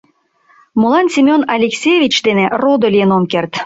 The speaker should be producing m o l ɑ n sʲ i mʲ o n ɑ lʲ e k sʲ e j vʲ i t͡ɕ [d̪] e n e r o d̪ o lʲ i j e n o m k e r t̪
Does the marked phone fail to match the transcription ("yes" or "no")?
no